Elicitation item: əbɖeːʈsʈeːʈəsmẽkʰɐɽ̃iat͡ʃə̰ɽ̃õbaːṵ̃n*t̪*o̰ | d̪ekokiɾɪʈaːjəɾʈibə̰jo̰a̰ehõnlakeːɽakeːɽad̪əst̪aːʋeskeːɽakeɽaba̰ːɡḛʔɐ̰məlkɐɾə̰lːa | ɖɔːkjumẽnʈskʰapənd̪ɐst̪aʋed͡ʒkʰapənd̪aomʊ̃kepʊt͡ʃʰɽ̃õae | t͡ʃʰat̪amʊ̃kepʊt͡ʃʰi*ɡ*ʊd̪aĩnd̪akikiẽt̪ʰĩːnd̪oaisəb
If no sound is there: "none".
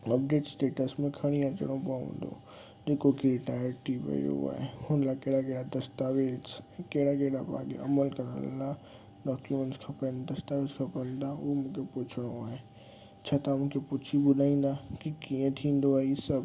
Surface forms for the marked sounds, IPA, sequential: d̪, b

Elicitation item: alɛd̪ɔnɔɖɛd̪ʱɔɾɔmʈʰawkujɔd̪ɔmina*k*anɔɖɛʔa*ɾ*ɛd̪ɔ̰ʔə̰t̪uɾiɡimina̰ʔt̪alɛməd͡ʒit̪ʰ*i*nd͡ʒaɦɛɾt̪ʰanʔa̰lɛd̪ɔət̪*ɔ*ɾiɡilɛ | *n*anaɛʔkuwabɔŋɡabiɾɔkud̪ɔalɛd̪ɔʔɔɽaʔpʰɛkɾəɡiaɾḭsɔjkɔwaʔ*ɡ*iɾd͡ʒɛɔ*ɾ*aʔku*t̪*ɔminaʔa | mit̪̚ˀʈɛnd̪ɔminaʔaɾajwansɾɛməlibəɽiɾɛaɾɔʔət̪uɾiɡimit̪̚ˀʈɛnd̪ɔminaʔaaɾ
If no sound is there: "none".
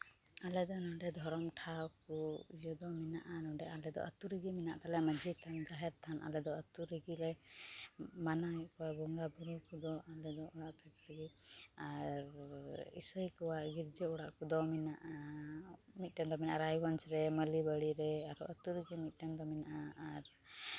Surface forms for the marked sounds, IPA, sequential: ʔ, l, a, u, m, ɡ, ɽ, d̪

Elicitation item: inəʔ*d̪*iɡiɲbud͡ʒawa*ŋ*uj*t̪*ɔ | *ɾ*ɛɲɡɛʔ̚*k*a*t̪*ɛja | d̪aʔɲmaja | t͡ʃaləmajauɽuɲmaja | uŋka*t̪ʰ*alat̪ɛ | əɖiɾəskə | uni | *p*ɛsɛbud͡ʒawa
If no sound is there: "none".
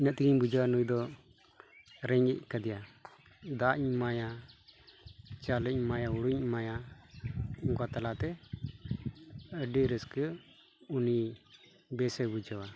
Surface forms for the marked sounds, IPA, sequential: t̪, n, d̪, ɾ, k, d̪, t̪, b

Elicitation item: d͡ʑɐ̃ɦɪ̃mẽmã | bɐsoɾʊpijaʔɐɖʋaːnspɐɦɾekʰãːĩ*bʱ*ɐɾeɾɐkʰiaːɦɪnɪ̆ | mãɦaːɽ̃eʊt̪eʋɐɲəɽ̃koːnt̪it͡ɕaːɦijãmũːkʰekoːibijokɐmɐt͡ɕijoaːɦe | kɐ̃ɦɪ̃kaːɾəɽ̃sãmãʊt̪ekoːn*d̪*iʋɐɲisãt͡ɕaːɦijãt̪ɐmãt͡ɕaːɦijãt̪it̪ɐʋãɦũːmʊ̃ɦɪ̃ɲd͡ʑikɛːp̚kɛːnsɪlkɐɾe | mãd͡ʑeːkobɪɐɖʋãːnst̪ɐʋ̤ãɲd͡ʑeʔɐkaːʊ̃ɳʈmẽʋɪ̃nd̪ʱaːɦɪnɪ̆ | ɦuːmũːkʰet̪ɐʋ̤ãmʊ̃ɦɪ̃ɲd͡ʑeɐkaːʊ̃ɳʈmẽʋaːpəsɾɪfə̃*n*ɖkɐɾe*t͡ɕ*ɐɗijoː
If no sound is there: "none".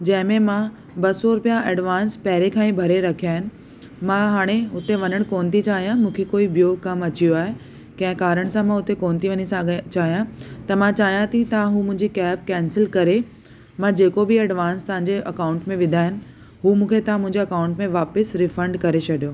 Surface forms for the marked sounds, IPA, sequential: bʱ, t̪, ɳ, t͡ɕʰ

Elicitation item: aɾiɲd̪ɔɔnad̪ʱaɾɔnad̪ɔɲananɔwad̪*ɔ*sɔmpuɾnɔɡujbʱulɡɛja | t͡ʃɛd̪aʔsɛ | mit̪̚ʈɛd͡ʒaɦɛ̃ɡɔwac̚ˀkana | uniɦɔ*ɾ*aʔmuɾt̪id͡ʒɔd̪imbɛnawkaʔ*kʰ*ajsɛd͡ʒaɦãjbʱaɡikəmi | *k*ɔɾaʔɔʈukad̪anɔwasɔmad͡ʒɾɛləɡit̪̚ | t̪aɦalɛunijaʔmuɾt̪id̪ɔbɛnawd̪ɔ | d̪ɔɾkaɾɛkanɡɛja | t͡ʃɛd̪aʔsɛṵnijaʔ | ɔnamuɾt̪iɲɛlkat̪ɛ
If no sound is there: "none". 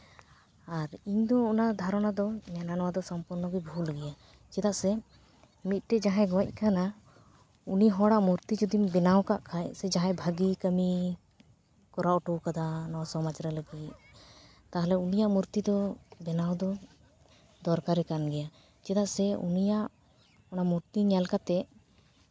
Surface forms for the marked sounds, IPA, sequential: ɔ, ɽ, kʰ, k

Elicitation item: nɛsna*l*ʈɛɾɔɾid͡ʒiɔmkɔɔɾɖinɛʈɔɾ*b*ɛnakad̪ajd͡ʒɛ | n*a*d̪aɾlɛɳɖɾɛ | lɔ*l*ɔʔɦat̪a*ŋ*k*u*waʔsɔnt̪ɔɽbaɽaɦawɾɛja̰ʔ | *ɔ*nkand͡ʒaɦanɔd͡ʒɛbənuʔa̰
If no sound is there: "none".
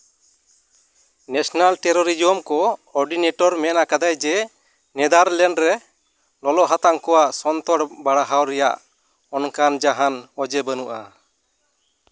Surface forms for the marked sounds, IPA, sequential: l, m, ɛ, l, ŋ, ɔ, ɔ

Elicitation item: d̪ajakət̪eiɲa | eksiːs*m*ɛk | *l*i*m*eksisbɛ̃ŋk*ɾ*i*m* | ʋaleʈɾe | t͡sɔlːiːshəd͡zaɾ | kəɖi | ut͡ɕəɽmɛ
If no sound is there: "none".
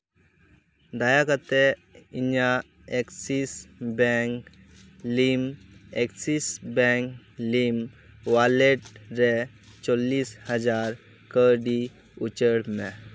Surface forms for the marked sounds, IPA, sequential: b, l, m, l, m

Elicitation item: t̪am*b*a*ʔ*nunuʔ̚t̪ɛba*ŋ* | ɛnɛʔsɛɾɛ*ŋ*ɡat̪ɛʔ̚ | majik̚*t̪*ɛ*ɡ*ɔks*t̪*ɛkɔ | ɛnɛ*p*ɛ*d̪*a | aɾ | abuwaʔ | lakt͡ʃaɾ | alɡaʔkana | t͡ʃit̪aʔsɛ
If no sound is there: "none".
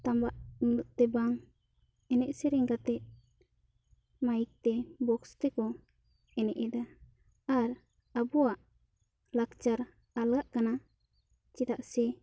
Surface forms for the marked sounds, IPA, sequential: b, ʔ, ŋ, ŋ, t̪, b, t̪, ʔ, d̪

